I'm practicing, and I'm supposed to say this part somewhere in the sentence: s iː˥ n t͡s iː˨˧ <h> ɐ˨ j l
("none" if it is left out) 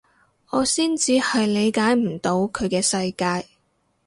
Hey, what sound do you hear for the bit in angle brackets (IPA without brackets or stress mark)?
h